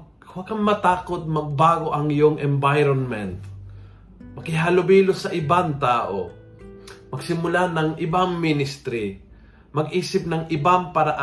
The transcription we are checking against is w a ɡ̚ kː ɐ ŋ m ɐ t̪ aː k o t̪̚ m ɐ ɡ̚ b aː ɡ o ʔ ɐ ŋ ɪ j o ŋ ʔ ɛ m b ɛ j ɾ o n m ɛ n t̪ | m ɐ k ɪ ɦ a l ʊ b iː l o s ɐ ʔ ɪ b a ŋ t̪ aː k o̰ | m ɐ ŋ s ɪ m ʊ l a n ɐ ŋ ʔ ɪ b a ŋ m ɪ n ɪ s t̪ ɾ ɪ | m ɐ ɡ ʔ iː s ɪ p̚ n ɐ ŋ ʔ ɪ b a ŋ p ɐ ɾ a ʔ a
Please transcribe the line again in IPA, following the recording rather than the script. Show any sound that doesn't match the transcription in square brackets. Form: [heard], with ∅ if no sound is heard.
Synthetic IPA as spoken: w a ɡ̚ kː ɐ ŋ m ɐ t̪ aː k o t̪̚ m ɐ ɡ̚ b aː ɡ o ʔ ɐ ŋ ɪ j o ŋ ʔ ɛ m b [a] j ɾ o n m ɛ n t̪ | m ɐ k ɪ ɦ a l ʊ b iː l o s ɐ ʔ ɪ b a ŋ t̪ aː [ʔ] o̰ | m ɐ [ɡ] s ɪ m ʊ l a n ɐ ŋ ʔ ɪ b a ŋ m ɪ n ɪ s t̪ ɾ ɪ | m ɐ ɡ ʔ iː s ɪ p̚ n ɐ ŋ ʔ ɪ b a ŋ p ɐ ɾ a ʔ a